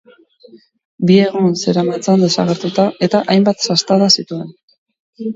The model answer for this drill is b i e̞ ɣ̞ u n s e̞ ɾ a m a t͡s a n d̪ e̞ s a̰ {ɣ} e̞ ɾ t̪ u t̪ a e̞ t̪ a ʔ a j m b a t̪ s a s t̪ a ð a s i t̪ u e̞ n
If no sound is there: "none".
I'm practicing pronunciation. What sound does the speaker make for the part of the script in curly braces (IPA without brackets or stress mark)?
ɣ